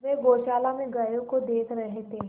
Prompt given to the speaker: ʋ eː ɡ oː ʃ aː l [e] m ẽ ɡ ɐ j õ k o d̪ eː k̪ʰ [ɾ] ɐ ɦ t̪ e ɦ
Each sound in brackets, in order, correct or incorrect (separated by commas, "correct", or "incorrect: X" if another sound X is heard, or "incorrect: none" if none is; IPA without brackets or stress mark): incorrect: a, correct